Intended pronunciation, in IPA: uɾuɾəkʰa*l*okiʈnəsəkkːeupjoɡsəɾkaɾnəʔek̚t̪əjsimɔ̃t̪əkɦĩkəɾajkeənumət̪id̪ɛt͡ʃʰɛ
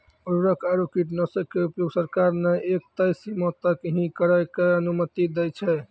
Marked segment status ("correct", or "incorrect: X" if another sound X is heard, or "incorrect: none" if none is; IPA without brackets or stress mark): incorrect: ɾ